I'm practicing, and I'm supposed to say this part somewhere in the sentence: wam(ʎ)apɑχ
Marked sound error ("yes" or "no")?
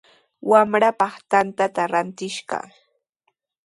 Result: yes